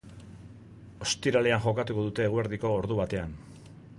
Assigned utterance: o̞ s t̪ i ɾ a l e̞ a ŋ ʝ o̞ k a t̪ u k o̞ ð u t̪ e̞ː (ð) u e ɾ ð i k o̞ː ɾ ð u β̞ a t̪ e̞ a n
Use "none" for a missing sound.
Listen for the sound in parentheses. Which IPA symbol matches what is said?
ɣ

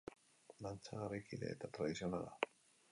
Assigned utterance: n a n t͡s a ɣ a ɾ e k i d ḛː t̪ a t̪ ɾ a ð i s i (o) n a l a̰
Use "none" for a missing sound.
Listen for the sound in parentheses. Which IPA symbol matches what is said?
o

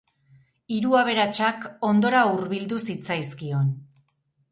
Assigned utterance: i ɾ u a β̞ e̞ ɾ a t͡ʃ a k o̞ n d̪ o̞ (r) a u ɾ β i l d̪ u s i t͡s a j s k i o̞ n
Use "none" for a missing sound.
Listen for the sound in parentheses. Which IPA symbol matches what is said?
ɾ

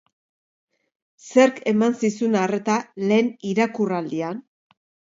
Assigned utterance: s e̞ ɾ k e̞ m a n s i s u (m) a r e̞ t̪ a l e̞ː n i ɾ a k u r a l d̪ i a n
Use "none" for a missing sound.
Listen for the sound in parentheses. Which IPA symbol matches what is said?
n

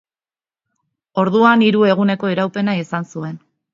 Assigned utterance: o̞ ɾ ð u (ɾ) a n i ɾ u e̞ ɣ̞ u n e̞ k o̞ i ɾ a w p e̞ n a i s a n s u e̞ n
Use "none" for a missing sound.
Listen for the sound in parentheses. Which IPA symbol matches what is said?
none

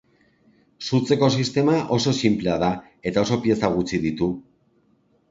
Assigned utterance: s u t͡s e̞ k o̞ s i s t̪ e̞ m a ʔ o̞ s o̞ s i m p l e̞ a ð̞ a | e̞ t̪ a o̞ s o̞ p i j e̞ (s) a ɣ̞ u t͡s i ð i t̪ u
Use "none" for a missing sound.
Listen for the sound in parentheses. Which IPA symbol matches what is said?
s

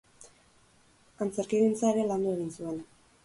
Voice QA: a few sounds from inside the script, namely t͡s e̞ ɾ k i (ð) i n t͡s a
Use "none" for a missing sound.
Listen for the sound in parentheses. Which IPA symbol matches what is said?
ɣ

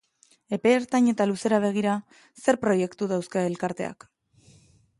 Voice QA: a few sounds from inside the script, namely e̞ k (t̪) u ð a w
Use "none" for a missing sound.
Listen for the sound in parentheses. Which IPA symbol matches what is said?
t̪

